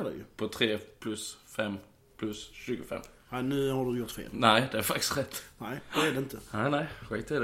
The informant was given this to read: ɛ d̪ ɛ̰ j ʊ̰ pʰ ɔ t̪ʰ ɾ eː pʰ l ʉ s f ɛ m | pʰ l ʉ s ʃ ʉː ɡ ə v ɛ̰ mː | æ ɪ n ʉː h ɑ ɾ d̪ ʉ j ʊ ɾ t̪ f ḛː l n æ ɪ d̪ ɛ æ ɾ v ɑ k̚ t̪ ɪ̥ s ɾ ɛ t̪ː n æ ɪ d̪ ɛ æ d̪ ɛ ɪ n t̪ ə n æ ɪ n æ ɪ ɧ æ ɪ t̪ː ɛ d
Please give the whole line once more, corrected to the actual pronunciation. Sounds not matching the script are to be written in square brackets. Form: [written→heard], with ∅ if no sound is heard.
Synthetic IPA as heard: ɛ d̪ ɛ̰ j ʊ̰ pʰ ɔ t̪ʰ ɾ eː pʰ l ʉ s f ɛ m | pʰ l ʉ s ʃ ʉː ɡ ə [v→f] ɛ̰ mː | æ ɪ n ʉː h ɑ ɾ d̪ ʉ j ʊ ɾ t̪ f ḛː l n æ ɪ d̪ ɛ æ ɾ [v→f] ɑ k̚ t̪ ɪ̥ s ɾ ɛ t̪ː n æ ɪ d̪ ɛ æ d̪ ɛ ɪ n t̪ ə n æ ɪ n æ ɪ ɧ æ ɪ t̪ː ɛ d